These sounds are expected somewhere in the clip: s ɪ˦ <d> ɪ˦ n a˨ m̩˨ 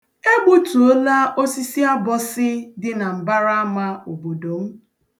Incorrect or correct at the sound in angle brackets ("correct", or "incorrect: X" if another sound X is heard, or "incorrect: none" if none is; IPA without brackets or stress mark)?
correct